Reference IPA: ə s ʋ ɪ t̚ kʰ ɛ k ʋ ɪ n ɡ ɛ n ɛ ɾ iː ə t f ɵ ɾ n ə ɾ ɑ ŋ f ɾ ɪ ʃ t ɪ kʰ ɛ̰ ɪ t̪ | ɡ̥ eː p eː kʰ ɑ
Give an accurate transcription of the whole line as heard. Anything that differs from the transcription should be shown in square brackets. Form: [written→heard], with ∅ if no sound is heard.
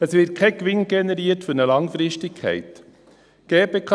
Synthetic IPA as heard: ə s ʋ ɪ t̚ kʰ ɛ k ʋ ɪ n ɡ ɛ n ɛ ɾ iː ə t f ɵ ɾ n ə [ɾ→l] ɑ ŋ f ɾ ɪ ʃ t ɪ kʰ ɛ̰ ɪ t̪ | ɡ̥ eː p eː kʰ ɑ